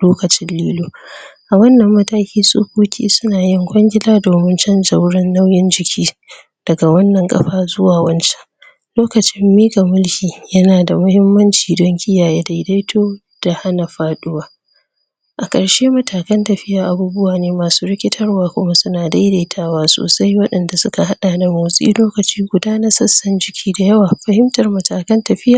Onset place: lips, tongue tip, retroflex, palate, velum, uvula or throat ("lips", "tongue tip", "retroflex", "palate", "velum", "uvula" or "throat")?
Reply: tongue tip